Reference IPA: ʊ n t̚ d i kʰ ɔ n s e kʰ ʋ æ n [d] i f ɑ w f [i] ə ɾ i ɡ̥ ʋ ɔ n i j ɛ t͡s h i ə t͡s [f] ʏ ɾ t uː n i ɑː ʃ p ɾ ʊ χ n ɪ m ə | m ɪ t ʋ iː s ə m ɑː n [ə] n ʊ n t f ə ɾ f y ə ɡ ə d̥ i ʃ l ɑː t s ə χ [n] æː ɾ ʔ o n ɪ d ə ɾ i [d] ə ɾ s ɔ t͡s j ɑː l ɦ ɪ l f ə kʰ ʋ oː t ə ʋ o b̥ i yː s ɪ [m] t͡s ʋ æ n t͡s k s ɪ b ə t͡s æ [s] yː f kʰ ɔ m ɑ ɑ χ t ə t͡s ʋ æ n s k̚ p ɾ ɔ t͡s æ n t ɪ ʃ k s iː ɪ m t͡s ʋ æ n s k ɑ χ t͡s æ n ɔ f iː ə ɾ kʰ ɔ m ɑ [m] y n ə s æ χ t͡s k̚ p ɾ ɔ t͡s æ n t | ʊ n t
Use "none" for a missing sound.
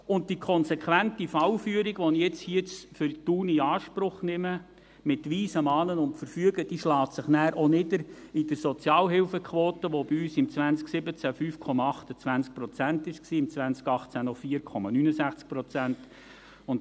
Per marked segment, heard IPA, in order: t, y, f, ə, n, d, m, f, n

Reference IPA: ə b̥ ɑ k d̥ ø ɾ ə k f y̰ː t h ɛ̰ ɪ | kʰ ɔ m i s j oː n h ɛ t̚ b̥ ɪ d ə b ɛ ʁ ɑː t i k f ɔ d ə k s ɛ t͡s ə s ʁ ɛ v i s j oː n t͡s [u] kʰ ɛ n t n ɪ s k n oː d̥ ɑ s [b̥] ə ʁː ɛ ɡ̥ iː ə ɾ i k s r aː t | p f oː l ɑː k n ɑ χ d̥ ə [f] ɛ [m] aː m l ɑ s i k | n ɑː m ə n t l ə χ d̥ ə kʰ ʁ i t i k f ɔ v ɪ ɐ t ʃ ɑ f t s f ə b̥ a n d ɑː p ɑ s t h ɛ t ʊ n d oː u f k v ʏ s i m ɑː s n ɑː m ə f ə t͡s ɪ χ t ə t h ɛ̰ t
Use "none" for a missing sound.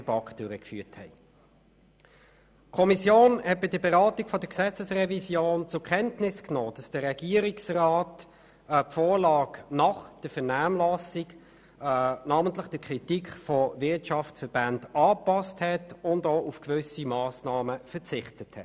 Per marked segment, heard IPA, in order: ʊ, d̥, f, n

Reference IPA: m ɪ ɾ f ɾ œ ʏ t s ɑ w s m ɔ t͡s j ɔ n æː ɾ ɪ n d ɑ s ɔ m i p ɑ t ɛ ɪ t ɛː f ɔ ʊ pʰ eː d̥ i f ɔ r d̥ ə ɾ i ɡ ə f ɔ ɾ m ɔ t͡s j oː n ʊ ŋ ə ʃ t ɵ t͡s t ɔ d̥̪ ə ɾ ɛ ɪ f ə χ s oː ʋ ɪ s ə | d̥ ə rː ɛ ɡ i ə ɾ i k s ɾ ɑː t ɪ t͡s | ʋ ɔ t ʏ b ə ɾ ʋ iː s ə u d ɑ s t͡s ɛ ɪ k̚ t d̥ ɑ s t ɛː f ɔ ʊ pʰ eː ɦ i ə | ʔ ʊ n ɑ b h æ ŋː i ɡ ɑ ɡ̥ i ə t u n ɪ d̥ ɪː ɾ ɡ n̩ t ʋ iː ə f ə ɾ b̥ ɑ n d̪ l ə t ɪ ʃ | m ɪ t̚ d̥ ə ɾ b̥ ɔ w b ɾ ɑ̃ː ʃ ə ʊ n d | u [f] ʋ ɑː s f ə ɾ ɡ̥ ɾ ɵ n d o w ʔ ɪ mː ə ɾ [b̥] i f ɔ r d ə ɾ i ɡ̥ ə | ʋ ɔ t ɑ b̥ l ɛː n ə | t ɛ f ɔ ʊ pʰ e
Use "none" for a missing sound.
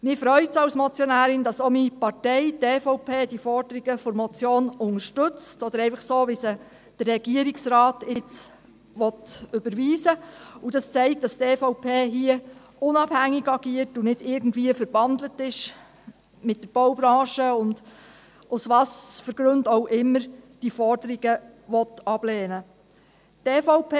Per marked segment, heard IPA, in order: s, d̥

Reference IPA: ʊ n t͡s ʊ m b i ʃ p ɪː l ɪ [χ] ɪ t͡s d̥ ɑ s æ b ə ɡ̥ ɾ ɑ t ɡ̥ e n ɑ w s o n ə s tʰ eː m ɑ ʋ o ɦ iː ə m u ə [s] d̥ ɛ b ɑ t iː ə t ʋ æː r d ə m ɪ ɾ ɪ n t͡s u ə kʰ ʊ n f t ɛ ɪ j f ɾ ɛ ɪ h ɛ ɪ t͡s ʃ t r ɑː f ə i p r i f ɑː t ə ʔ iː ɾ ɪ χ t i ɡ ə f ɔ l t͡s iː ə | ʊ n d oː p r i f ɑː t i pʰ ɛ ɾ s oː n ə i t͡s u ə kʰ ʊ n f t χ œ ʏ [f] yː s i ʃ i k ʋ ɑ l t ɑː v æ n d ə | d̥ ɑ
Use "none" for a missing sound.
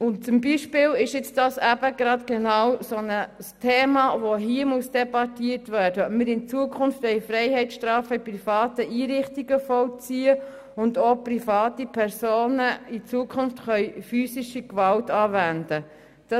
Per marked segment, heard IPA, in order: ʃ, s, f

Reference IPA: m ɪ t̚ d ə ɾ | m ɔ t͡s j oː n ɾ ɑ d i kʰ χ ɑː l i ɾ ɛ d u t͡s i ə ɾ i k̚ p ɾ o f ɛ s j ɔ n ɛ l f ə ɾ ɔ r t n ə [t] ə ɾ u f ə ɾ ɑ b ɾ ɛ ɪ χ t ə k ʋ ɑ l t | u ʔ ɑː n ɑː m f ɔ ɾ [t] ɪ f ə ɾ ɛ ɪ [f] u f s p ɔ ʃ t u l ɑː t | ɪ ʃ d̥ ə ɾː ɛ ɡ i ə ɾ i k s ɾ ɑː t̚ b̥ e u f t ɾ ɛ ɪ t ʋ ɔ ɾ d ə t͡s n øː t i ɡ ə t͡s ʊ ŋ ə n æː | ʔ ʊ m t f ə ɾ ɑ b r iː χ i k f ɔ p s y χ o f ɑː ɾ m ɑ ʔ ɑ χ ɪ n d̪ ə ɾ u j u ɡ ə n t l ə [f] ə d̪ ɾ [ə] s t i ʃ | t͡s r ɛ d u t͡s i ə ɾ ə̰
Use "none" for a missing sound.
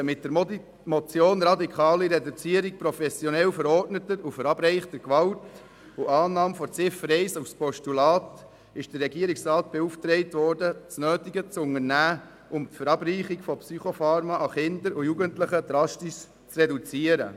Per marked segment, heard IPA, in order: t, t͡s, s, χ, ɑ

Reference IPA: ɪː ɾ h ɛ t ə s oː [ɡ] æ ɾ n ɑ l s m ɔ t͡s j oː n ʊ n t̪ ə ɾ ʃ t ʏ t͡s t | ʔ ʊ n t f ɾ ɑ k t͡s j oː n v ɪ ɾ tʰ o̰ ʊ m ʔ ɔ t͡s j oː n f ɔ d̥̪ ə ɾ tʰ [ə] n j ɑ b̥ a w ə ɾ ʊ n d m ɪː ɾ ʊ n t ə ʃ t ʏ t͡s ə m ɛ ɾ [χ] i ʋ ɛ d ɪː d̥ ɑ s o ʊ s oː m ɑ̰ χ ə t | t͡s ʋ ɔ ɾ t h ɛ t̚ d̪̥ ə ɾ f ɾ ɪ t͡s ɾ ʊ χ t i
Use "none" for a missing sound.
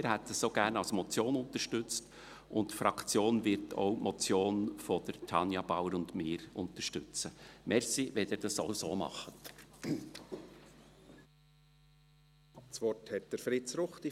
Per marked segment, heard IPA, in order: ɡ, ɑ, s

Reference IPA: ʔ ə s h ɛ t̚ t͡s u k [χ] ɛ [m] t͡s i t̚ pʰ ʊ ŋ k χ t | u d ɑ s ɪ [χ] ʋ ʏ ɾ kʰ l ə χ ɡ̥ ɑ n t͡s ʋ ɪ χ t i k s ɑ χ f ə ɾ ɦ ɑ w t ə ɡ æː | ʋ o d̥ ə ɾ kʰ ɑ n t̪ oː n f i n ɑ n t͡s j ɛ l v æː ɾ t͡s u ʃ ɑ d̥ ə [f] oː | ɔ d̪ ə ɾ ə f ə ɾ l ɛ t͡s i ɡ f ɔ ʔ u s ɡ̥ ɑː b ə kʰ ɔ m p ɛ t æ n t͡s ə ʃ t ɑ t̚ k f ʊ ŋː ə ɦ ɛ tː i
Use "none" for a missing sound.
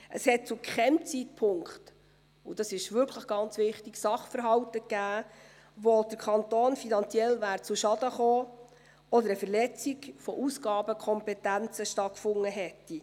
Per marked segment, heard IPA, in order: χ, m, ʃ, χ

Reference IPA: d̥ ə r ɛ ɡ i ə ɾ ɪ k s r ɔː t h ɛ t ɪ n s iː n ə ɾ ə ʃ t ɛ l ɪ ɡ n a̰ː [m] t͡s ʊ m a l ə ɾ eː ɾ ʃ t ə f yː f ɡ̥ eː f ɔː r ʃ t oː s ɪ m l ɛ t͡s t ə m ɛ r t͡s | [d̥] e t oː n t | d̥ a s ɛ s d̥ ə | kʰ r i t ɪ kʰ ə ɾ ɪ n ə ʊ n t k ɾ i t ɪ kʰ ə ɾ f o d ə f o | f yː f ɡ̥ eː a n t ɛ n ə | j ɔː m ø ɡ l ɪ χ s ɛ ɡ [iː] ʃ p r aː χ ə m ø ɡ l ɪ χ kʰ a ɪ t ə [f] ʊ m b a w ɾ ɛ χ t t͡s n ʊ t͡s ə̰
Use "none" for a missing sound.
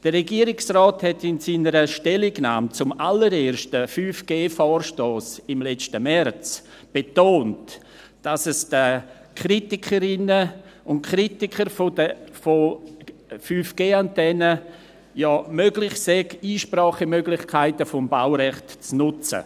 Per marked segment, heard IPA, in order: m, b̥, iː, f

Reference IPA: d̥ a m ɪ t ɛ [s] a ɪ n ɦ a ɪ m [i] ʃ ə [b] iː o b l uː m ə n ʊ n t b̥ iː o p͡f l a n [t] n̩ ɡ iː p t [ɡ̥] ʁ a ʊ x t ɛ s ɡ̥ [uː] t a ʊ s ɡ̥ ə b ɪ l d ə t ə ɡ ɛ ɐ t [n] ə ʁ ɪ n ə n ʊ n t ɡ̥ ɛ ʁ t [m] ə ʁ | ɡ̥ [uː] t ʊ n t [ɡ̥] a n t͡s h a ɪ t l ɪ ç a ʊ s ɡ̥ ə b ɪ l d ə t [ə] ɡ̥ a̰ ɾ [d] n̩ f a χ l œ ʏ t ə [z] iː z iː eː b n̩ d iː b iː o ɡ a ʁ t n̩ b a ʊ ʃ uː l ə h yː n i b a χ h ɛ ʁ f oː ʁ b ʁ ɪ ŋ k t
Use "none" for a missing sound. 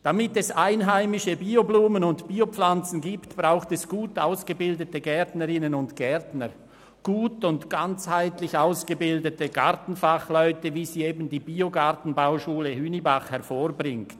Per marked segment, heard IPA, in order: s, ɪ, b, t͡s, b̥, uː, n, n, uː, ɡ̥, ə, t, v

